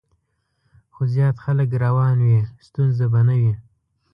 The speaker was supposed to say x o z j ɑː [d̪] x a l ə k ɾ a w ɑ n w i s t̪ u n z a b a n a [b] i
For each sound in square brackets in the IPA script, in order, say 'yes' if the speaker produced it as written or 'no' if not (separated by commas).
no, no